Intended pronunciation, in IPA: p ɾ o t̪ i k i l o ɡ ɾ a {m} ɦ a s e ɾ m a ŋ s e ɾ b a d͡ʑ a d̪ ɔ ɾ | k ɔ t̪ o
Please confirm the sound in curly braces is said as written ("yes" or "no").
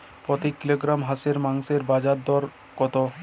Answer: yes